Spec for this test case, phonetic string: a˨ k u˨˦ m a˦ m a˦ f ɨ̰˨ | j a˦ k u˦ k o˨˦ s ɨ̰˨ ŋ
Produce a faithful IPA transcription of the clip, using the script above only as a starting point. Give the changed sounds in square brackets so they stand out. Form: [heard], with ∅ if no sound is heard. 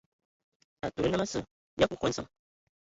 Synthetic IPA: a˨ [t] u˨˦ [n] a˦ m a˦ [s] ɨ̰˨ | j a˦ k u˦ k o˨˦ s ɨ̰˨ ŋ